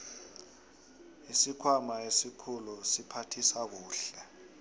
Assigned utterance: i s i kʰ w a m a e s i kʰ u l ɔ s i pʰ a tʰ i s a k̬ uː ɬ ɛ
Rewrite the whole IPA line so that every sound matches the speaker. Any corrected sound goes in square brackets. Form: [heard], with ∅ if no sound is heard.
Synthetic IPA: i s i kʰ w a m a e s i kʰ u l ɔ s i pʰ a tʰ i s a k̬ uː ɬ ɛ